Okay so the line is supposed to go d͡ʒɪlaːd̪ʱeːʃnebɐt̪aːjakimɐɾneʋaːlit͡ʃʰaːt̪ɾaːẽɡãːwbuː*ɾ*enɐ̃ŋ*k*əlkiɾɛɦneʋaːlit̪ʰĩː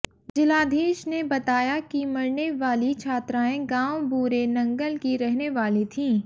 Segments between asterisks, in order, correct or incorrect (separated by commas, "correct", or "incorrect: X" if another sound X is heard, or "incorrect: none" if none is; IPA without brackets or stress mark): correct, incorrect: ɡ